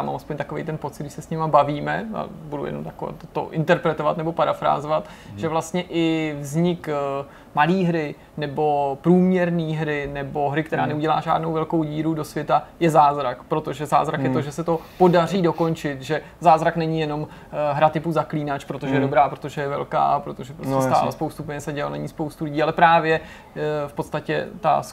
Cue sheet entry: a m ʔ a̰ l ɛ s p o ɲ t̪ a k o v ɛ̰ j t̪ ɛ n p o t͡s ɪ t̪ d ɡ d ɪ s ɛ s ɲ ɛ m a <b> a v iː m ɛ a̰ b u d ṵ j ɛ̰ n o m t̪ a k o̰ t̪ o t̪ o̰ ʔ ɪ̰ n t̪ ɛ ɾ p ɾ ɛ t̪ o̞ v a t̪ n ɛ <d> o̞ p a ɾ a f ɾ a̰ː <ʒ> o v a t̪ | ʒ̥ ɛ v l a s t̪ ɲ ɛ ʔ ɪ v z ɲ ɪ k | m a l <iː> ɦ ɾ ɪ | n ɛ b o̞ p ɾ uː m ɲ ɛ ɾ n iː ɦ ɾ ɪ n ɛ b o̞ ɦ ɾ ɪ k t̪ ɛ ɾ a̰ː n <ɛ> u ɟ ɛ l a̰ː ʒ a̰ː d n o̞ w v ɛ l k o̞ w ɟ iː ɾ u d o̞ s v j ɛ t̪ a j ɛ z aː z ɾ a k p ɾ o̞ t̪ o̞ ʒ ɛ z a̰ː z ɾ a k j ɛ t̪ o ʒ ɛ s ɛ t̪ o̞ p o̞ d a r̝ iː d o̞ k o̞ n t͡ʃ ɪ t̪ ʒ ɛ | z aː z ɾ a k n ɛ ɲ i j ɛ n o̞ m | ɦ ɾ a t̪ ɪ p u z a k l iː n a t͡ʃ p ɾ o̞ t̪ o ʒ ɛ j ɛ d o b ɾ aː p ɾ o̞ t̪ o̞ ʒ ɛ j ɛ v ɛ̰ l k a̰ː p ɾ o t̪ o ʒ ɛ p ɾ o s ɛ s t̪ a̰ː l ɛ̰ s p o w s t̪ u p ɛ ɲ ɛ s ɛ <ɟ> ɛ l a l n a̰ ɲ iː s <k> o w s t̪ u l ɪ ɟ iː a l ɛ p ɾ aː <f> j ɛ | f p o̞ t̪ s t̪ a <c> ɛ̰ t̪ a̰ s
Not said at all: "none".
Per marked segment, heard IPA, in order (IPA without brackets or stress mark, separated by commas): b, b, z, iː, ɛ, ɟ, p, v, c